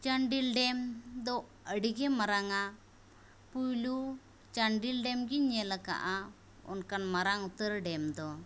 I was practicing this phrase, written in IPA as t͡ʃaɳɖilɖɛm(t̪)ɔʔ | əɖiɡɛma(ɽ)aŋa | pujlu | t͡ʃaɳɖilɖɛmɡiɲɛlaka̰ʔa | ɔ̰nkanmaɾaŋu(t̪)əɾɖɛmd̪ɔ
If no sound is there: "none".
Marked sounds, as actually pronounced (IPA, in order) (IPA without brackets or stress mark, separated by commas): d̪, ɾ, t̪